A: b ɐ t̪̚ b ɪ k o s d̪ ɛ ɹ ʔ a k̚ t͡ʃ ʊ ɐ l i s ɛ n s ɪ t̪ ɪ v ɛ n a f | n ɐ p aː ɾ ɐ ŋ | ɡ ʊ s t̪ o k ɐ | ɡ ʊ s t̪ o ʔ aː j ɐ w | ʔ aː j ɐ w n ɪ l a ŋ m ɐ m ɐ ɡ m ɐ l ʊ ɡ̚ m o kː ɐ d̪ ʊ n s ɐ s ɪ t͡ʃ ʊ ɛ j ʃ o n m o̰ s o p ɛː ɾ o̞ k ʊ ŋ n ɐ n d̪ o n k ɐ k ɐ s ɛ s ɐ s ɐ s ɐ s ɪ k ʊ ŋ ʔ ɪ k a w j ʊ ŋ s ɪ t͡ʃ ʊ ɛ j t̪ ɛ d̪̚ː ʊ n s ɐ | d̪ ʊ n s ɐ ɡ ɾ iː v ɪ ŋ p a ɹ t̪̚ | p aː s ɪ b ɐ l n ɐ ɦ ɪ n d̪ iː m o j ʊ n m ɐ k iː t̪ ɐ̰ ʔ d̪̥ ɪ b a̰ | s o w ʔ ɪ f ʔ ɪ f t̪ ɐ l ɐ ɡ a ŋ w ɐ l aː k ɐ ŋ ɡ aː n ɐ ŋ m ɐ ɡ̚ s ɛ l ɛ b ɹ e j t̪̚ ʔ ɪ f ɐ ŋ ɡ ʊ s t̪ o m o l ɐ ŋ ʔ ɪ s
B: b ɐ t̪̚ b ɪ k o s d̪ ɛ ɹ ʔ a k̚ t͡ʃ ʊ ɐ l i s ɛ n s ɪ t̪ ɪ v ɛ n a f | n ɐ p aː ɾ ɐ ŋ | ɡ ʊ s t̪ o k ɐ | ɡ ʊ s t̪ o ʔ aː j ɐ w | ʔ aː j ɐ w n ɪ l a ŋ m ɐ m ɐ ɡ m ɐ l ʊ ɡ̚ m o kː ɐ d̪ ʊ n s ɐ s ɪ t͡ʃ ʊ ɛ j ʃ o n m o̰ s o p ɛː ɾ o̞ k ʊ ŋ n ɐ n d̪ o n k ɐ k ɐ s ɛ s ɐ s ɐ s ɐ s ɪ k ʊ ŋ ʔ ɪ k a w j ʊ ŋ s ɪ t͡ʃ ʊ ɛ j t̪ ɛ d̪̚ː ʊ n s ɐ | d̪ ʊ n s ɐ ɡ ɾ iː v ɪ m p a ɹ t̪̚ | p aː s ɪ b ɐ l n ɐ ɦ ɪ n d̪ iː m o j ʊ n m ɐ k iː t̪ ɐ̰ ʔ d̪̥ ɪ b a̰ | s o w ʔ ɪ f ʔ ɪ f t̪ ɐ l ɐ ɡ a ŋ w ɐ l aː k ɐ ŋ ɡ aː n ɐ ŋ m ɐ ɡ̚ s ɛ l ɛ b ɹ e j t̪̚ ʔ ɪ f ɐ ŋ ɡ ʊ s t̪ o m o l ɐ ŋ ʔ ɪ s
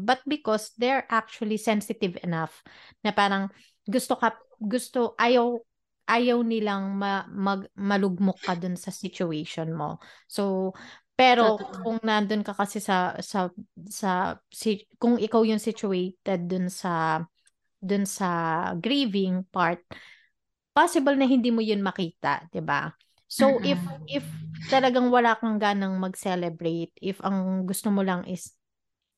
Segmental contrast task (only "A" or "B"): A